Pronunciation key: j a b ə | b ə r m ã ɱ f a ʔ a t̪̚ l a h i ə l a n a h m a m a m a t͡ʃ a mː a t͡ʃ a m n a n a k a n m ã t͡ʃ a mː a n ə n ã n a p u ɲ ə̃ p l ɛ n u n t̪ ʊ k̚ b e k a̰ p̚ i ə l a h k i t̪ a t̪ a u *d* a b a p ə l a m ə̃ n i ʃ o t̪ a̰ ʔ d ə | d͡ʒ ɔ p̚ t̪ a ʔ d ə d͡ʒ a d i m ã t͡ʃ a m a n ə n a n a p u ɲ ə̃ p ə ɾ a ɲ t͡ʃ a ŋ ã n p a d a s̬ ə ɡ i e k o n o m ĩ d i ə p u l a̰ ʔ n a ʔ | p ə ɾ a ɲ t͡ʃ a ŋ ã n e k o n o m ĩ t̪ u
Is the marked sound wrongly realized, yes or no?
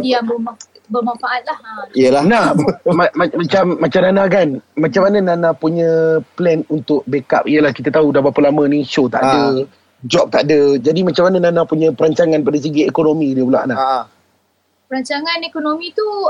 no